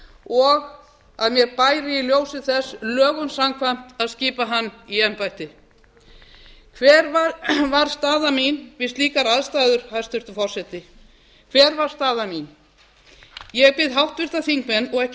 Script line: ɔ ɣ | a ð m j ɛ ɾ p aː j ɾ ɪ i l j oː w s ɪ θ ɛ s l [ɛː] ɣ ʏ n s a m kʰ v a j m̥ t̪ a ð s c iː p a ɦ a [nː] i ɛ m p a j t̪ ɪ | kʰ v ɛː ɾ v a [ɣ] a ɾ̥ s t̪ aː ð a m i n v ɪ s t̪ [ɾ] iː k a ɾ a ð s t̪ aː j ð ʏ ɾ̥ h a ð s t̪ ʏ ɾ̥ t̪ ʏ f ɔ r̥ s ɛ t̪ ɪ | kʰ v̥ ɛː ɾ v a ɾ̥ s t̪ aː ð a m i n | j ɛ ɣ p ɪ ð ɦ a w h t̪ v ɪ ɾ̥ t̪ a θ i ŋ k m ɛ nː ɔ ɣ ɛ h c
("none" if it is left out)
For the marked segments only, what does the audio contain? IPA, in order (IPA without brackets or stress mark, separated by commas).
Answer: œː, nː, v, l